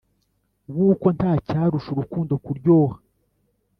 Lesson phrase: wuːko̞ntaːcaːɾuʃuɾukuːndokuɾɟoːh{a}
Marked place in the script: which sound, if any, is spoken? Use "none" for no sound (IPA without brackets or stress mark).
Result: a